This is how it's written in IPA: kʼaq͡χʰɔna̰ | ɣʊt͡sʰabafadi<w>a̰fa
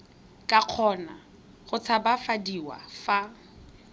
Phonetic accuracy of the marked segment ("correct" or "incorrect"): correct